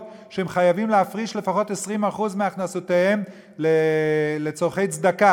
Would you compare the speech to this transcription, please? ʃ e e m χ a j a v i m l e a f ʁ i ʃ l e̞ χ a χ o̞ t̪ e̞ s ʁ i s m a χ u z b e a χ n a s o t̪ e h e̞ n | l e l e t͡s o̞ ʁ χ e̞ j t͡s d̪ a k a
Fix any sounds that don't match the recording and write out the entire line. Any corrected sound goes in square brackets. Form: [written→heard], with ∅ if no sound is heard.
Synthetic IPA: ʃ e e m χ a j a v i m l e a f ʁ i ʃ l e̞ [χ→f] a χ o̞ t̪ e̞ s ʁ i [s→∅] m a χ u z [b→m] e a χ n a s o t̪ e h e̞ [n→m] | l e l e t͡s o̞ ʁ χ e̞ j t͡s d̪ a k a